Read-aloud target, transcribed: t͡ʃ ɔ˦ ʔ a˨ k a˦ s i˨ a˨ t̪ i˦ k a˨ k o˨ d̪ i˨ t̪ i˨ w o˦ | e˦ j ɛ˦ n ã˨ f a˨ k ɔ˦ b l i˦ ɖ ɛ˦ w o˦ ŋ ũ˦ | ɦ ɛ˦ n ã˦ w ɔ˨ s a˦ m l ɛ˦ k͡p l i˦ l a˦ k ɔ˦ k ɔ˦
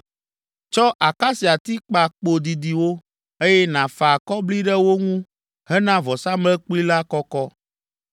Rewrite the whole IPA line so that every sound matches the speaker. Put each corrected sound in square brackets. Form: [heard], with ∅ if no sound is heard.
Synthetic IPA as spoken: t͡ʃ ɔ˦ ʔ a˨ k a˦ s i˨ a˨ t̪ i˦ [k͡p] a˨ [k͡p] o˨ d̪ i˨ [d̪] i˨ w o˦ | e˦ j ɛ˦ n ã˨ f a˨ k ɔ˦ b l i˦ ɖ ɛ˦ w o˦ ŋ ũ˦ | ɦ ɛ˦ n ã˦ [v] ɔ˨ s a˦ m l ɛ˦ k͡p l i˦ l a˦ k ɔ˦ k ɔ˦